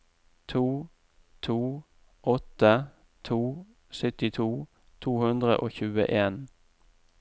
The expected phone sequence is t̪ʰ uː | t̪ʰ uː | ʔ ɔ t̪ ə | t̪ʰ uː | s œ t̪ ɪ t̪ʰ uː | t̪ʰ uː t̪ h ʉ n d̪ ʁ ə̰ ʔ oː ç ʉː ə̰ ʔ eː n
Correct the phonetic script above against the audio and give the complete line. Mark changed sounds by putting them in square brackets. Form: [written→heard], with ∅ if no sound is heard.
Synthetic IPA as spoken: t̪ʰ uː | t̪ʰ uː | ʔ ɔ t̪ ə | t̪ʰ uː | s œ t̪ ɪ t̪ʰ uː | t̪ʰ uː [t̪→∅] h ʉ n d̪ ʁ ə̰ ʔ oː ç ʉː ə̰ ʔ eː n

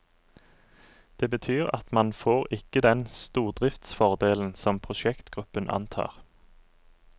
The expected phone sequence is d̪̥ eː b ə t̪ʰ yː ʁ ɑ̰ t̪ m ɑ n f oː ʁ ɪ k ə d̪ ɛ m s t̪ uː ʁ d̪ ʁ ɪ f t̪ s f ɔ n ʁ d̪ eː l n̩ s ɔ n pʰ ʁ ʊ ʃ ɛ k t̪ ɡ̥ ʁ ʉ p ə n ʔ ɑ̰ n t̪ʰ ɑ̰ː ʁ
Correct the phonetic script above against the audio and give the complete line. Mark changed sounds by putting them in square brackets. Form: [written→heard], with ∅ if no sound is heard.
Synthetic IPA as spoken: d̪̥ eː b ə t̪ʰ yː ʁ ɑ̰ t̪ m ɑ n f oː ʁ ɪ k ə d̪ ɛ [m→n] s t̪ uː ʁ d̪ ʁ ɪ f t̪ s f ɔ [n→∅] ʁ d̪ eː l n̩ s ɔ [n→m] pʰ ʁ ʊ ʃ ɛ k t̪ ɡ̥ ʁ ʉ p ə n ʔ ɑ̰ n t̪ʰ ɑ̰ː ʁ

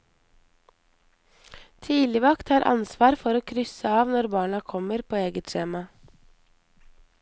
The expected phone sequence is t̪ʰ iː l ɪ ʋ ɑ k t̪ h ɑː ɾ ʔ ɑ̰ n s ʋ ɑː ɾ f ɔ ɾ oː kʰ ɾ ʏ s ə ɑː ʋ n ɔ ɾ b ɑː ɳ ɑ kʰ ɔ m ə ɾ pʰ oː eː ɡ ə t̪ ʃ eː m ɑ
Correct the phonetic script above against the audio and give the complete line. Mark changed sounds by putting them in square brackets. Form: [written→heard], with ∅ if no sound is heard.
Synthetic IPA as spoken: t̪ʰ iː l ɪ ʋ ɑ k t̪ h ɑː ɾ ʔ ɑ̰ n s ʋ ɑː ɾ f ɔ ɾ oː kʰ ɾ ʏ s ə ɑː ʋ n ɔ ɾ b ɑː ɳ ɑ kʰ ɔ m ə ɾ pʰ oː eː ɡ ə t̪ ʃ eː m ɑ

